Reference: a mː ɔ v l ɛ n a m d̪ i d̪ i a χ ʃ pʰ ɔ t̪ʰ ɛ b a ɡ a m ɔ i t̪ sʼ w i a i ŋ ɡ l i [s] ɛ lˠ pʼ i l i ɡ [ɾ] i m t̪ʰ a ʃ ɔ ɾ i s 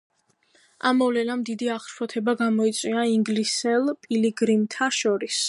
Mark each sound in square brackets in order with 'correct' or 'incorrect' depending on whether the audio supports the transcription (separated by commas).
correct, correct